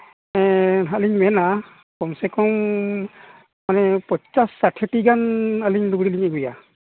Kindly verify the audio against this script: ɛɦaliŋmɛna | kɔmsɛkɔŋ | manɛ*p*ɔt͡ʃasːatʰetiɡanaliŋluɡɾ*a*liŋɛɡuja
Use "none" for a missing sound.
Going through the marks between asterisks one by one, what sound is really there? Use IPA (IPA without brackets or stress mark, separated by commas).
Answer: p, i